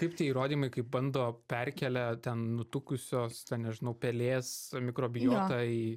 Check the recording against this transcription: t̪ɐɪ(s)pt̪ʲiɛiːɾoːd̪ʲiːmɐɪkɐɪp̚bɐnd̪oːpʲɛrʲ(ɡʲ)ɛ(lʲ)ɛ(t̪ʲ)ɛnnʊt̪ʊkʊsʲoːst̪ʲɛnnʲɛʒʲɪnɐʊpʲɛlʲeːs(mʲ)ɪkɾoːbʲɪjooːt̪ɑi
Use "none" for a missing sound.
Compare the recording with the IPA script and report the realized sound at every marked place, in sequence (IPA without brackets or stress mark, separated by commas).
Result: none, kʲ, lʲ, t̪ʲ, mʲ